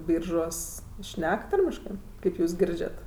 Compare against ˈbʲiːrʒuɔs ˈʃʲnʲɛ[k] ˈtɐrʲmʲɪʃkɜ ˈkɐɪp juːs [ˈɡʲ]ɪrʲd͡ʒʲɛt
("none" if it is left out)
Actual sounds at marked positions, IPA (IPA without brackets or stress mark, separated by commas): k, ɡʲ